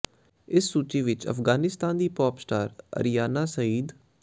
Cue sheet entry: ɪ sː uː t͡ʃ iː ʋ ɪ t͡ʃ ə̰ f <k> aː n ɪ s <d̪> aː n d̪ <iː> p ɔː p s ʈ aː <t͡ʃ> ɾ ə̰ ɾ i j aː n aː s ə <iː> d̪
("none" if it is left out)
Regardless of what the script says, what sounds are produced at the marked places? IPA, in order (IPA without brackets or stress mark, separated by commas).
ɡ, t̪, iː, none, iː